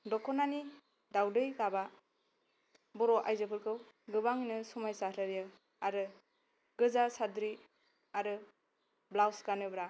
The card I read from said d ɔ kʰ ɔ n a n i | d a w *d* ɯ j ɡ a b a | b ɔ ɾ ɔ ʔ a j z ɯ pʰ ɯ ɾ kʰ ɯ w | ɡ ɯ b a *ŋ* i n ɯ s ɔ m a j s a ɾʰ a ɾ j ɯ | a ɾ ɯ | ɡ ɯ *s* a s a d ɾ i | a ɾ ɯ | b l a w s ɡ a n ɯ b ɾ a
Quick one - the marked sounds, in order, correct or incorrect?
correct, correct, incorrect

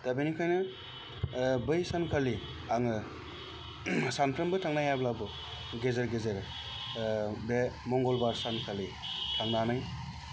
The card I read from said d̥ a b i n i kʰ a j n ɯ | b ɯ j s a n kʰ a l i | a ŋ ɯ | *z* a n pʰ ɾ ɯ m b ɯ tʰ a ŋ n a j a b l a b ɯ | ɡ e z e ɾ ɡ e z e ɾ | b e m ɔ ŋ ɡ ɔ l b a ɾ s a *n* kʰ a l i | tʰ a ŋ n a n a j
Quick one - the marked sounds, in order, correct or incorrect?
incorrect, correct

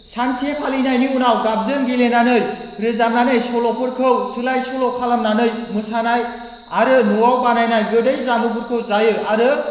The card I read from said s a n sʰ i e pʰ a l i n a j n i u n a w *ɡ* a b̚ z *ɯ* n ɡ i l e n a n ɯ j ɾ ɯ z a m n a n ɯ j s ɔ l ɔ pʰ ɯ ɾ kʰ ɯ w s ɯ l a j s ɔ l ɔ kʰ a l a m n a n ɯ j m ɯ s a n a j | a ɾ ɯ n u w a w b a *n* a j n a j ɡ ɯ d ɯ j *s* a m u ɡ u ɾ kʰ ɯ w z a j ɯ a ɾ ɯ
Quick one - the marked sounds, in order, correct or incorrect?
correct, correct, correct, incorrect

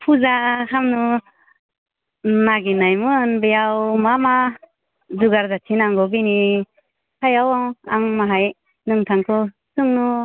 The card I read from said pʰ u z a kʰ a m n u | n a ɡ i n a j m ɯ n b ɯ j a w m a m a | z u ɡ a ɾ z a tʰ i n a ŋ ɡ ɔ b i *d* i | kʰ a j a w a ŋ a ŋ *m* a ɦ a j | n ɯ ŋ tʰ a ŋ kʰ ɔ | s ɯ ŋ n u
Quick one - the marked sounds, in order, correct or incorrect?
incorrect, correct

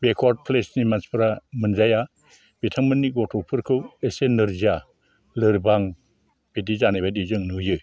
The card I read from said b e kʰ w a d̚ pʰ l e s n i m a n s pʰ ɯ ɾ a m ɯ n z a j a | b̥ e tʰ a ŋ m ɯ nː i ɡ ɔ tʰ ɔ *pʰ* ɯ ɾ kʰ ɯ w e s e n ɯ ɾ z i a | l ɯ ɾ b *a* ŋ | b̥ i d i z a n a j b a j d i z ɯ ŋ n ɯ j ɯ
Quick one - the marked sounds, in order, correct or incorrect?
correct, correct

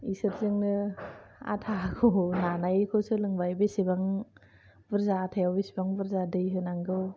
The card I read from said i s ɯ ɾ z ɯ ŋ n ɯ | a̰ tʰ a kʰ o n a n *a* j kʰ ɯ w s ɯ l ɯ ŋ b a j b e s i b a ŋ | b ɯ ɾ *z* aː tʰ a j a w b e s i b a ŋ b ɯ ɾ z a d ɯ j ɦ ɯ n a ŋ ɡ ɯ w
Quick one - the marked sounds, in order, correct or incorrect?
correct, correct

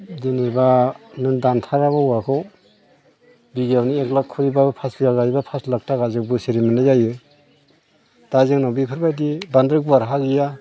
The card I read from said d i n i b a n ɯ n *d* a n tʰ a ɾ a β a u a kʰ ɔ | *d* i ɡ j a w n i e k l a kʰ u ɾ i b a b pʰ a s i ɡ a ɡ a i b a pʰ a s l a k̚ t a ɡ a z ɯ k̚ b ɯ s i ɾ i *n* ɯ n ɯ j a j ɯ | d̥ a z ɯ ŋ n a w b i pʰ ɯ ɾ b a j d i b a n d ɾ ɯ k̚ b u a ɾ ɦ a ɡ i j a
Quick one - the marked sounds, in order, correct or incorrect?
correct, incorrect, incorrect

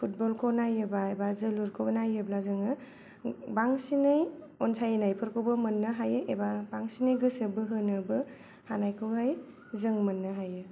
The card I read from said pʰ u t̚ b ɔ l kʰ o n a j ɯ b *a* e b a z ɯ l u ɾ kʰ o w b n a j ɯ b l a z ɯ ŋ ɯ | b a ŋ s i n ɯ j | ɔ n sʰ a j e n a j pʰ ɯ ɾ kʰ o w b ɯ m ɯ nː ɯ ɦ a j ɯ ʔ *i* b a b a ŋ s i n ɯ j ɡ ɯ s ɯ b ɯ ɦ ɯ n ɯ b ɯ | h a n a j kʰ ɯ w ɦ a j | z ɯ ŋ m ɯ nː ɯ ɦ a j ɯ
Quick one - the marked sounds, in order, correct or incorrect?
correct, incorrect

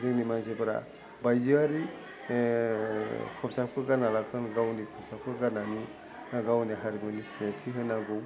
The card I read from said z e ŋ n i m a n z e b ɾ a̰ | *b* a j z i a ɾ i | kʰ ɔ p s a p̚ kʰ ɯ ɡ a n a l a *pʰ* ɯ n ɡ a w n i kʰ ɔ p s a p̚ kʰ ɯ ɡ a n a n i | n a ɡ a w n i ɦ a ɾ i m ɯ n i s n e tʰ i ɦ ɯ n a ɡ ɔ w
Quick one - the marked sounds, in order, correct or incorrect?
correct, incorrect

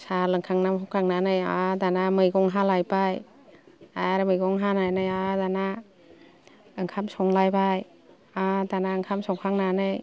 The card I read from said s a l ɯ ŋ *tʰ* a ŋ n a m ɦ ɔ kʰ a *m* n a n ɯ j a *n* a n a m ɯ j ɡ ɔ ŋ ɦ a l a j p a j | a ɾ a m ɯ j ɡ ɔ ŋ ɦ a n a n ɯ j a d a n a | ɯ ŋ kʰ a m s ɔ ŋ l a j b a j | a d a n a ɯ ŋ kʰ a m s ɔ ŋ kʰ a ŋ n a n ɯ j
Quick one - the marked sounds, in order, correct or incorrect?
incorrect, incorrect, incorrect

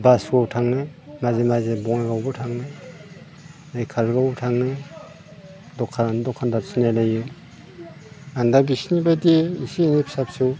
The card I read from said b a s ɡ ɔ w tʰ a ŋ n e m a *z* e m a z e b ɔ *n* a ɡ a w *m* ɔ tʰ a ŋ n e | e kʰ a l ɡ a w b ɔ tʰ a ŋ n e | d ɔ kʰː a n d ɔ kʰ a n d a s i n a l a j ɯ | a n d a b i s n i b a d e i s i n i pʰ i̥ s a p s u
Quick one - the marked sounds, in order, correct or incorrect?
correct, incorrect, incorrect

